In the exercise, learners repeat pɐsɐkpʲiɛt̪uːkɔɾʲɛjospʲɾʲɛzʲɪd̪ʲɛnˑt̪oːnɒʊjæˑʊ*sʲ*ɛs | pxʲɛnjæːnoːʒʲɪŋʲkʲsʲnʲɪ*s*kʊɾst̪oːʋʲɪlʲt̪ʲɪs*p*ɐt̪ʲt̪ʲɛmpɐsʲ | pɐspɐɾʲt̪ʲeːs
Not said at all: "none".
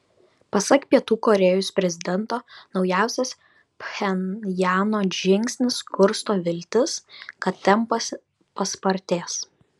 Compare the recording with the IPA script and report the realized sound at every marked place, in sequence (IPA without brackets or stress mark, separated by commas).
sʲ, s, k